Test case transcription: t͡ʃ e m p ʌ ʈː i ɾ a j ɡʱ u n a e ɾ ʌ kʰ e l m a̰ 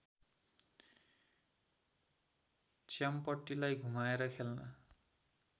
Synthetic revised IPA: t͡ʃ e m p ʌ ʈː i l a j ɡʱ u m a e ɾ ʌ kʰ e l n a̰